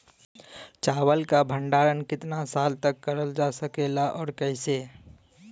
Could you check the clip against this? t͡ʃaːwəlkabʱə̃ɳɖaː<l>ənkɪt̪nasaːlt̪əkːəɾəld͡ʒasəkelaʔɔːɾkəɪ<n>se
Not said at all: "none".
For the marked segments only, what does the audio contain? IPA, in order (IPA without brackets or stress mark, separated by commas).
ɾ, none